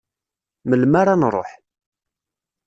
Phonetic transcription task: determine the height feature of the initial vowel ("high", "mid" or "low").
mid